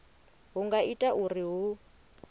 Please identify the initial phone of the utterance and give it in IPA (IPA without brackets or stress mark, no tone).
ɦ